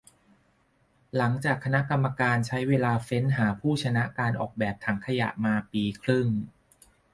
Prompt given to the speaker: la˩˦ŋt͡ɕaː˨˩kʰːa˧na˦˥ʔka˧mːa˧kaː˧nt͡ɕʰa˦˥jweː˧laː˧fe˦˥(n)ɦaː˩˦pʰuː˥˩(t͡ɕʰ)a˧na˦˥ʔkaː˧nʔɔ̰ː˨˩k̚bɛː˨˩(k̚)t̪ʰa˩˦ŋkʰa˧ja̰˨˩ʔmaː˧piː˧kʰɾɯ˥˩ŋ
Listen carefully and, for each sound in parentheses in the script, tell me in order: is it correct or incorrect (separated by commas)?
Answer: correct, correct, incorrect